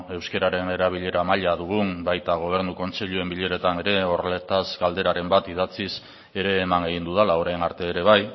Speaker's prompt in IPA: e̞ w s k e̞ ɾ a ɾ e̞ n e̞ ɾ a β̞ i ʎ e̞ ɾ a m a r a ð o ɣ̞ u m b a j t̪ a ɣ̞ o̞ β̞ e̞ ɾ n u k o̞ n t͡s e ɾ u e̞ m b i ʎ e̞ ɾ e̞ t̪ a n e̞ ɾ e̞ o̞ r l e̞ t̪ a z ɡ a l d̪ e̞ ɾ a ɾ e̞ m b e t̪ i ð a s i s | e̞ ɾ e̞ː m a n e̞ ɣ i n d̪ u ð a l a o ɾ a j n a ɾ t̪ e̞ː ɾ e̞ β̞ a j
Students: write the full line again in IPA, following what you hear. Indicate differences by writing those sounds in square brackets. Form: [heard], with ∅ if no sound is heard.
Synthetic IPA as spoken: e̞ w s k e̞ ɾ a ɾ e̞ n e̞ ɾ a β̞ i ʎ e̞ ɾ a m a [ʎ] a ð [u] ɣ̞ u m b a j t̪ a ɣ̞ o̞ β̞ e̞ ɾ n u k o̞ n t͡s e [ʎ] u e̞ m b i ʎ e̞ ɾ e̞ t̪ a n e̞ ɾ e̞ o̞ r l e̞ t̪ a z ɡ a l d̪ e̞ ɾ a ɾ e̞ m b [a] t̪ i ð a [t͡s] i s | e̞ ɾ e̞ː m a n e̞ ɣ i n d̪ u ð a l a o ɾ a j n a ɾ t̪ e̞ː ɾ e̞ β̞ a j